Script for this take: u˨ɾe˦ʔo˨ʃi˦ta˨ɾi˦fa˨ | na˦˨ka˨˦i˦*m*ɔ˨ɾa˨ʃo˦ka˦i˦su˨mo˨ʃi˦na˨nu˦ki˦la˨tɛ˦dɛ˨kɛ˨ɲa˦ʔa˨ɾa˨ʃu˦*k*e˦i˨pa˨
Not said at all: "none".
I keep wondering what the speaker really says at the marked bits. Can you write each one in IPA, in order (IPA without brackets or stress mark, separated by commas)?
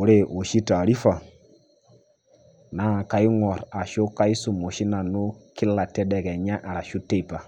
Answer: ŋ, t